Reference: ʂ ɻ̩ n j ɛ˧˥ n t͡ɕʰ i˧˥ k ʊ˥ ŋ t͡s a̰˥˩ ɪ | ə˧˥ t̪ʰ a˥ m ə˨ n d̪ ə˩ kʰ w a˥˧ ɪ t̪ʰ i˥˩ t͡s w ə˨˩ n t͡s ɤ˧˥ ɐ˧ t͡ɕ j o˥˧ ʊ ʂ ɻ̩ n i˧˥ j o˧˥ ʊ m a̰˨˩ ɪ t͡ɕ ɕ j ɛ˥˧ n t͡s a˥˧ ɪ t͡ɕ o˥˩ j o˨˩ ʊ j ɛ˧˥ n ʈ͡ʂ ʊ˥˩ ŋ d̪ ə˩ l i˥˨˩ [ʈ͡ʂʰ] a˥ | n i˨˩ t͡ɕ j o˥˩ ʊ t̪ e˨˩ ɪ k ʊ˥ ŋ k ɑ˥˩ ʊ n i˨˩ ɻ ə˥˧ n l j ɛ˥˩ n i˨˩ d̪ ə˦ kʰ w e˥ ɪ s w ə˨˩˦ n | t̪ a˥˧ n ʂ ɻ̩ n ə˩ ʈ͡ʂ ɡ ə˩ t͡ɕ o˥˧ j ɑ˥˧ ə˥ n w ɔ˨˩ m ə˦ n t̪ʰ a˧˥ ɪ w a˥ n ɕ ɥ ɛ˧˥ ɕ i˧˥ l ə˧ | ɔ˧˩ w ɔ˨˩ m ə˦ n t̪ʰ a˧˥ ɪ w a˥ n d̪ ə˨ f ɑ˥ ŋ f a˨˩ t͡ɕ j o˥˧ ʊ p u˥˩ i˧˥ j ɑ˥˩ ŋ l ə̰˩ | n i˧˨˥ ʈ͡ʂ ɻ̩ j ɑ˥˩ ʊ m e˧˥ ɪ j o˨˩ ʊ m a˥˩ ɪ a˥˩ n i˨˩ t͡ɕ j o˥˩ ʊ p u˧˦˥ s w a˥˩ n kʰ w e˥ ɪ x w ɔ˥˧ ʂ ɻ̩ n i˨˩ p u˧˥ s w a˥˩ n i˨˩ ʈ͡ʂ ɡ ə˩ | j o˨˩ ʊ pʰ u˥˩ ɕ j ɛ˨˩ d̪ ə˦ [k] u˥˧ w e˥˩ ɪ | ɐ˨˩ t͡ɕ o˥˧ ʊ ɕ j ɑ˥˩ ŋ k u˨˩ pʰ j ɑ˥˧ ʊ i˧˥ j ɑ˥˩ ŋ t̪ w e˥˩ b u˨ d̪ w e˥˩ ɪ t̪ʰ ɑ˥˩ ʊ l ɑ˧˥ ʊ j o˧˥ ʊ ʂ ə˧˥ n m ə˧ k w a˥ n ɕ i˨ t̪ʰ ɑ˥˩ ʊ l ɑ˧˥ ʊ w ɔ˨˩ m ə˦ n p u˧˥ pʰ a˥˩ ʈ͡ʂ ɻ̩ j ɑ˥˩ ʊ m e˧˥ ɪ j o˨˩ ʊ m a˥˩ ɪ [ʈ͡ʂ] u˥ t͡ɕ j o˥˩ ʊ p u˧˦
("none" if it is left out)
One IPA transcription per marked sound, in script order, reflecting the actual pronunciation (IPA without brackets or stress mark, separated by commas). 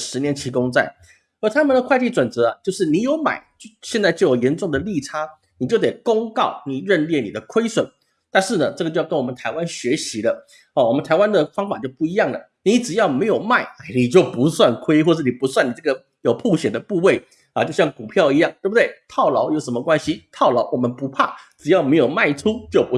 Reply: ʈ͡ʂʰ, p, ʈ͡ʂʰ